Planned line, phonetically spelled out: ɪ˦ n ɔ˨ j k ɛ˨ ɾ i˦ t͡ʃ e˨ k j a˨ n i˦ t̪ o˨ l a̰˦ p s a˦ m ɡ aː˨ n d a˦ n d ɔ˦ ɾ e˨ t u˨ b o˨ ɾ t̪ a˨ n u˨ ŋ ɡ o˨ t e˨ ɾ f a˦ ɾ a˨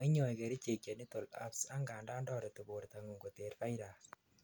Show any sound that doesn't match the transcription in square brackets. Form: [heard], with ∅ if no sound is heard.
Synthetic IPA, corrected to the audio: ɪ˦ [ɲ] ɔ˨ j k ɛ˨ ɾ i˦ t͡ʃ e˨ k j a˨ n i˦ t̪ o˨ l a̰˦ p s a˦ [ŋ] ɡ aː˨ n d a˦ n d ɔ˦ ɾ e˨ t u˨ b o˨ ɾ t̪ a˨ [ŋ] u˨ ŋ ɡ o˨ t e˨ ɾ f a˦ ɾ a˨